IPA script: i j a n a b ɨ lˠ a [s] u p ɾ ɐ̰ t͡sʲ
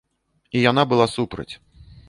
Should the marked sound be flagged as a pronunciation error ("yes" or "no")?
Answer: no